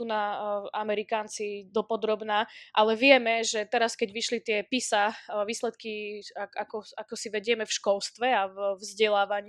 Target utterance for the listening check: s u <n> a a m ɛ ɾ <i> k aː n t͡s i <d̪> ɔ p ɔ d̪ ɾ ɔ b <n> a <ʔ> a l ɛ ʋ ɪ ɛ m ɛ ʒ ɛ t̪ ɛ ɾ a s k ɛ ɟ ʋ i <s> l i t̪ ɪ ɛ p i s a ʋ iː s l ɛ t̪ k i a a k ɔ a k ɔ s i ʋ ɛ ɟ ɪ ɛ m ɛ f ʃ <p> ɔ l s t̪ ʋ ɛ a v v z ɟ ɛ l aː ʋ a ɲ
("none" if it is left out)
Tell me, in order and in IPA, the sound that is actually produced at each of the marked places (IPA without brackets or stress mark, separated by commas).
n, i, d̪, n, ʔ, ʃ, k